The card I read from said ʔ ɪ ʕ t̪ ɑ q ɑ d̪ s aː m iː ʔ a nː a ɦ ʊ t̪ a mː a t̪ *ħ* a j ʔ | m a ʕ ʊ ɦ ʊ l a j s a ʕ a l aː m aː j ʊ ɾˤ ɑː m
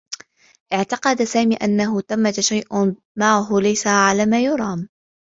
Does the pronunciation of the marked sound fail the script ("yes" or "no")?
yes